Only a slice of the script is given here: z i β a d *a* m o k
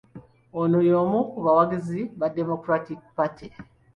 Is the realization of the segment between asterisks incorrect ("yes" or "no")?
yes